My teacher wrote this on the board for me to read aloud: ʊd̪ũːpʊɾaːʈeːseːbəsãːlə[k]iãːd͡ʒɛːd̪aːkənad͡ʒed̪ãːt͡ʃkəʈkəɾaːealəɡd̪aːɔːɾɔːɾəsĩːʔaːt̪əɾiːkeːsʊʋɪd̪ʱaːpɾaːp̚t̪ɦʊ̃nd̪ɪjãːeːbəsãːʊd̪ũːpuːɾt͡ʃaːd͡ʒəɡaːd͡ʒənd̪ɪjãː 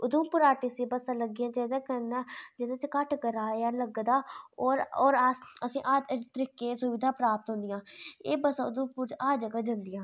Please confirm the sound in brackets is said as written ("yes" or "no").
no